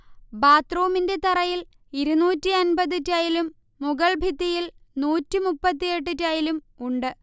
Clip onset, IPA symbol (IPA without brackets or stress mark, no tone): b